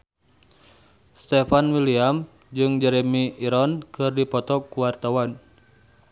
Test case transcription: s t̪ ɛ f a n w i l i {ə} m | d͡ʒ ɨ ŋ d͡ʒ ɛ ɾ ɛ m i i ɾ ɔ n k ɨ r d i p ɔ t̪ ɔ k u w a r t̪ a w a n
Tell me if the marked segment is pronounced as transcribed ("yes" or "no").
no